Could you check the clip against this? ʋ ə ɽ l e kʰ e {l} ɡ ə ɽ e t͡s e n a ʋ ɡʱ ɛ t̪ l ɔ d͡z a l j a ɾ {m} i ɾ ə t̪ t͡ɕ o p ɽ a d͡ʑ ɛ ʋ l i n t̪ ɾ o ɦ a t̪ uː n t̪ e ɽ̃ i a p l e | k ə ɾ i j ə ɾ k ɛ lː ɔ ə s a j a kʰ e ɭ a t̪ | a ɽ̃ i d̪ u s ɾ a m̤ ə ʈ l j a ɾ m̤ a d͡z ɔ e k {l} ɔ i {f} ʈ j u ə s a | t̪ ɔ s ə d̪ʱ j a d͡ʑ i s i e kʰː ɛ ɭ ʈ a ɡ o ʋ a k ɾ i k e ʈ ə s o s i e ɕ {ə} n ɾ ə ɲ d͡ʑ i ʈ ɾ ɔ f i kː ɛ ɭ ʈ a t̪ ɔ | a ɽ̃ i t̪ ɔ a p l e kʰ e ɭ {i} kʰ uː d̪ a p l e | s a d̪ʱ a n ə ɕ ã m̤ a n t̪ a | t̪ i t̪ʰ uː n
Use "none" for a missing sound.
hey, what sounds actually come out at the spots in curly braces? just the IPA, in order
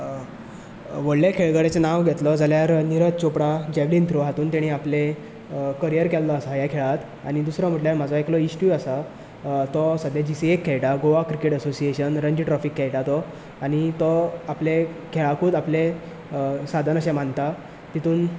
ɭ, n, l, s, ə, a

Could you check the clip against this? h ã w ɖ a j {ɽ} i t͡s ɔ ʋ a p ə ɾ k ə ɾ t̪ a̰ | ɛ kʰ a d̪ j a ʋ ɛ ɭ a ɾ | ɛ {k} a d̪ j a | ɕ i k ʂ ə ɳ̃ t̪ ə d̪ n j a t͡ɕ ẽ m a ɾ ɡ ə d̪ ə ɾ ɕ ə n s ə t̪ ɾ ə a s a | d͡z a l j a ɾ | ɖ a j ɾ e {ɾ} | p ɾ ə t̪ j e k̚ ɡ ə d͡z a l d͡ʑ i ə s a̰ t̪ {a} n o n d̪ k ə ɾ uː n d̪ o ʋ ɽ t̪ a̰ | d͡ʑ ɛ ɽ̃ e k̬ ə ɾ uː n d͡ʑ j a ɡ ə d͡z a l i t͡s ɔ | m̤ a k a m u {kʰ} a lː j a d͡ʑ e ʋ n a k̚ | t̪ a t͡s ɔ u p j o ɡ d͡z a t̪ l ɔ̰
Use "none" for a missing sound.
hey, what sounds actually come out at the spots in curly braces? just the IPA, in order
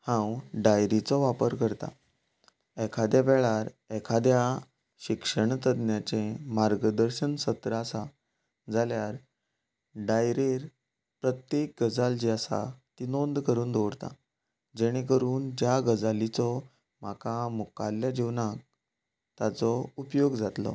ɾ, kʰ, ɾ, i, k

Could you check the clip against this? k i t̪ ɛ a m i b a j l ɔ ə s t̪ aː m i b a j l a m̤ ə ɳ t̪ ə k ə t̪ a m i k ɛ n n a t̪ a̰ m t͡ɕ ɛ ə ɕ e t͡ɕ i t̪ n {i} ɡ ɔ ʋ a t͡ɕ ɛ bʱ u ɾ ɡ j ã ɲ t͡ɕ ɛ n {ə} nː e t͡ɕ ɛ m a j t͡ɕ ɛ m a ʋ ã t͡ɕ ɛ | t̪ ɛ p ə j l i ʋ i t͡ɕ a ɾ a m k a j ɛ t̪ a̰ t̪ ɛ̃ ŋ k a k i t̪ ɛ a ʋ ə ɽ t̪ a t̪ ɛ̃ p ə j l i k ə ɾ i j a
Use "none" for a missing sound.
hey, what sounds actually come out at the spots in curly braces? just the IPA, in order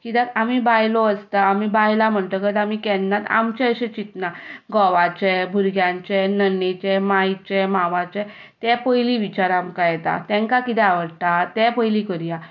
a, ə

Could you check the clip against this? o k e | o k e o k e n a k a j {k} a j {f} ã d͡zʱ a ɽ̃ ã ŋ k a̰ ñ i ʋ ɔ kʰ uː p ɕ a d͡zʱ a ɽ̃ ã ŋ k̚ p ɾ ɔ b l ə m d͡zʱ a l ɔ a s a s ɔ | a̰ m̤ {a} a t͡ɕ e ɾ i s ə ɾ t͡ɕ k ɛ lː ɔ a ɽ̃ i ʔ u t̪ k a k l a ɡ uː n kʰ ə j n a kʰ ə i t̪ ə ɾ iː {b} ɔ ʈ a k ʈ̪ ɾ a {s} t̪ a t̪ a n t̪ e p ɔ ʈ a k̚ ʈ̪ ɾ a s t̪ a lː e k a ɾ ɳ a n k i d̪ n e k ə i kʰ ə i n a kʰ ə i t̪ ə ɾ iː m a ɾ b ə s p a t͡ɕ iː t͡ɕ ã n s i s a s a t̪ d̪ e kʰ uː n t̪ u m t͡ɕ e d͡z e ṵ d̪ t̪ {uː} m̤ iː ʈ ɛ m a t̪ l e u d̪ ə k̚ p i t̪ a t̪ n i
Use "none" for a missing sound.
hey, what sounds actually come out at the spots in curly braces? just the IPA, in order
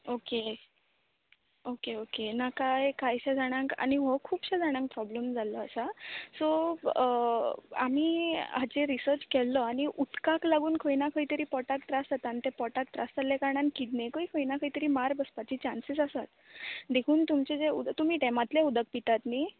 k, ɕ, i, p, s, u

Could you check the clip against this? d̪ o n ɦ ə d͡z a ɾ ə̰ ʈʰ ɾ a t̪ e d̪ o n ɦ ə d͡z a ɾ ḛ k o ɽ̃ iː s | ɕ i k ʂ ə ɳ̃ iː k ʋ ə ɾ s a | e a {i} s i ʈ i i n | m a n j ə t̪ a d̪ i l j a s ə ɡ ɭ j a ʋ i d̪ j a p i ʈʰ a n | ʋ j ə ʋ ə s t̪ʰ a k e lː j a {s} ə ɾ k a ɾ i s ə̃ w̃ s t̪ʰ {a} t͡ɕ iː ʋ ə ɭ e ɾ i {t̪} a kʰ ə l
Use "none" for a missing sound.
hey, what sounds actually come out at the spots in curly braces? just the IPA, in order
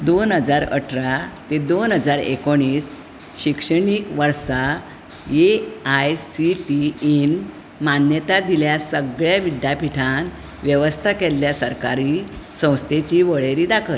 j, s, e, d̪

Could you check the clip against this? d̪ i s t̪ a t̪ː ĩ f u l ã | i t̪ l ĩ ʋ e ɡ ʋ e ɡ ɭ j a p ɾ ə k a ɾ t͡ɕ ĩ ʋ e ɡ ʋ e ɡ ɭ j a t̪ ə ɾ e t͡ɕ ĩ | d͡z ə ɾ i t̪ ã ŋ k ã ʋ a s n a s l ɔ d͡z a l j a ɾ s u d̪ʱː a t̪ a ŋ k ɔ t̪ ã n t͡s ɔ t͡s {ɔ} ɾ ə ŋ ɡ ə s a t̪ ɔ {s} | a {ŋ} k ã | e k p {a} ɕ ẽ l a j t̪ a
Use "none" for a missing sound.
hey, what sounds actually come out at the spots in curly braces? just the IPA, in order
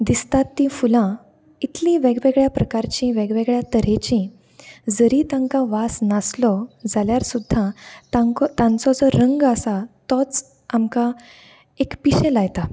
ɔ, t͡s, m, i

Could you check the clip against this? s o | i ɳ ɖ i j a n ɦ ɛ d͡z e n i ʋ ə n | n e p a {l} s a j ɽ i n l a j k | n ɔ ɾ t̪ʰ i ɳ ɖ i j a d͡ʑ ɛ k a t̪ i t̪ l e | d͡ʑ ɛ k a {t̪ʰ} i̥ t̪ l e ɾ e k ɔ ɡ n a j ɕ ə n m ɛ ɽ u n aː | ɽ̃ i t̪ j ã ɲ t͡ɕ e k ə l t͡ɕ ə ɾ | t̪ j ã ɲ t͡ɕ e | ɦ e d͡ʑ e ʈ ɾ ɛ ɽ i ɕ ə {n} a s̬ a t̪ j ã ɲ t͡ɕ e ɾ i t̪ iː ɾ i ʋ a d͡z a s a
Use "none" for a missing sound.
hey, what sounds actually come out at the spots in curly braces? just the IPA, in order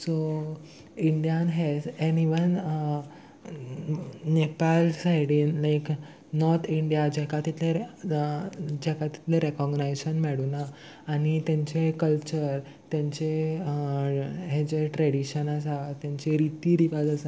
l, t̪, n

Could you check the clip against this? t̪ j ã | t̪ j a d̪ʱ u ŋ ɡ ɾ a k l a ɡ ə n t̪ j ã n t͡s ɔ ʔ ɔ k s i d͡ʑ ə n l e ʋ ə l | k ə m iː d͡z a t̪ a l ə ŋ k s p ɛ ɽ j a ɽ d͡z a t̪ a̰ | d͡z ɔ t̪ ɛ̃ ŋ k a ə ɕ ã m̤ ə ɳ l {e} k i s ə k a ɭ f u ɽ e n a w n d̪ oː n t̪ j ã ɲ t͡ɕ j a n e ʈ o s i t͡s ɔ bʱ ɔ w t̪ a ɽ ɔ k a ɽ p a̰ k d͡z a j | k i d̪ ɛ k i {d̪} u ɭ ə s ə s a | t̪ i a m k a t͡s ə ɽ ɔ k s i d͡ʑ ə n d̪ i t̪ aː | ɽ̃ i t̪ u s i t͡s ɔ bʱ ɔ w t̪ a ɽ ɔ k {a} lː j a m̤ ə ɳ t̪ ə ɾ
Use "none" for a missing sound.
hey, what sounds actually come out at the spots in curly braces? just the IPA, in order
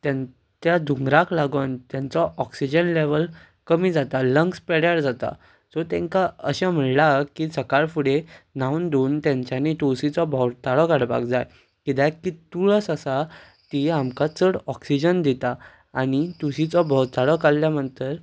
a, t̪, a

